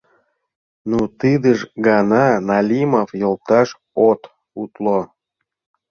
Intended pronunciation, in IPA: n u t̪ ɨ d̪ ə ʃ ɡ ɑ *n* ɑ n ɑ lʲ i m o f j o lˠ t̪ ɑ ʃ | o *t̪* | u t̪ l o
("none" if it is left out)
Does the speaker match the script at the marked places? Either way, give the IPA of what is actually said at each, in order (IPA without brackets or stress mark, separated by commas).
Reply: n, t̪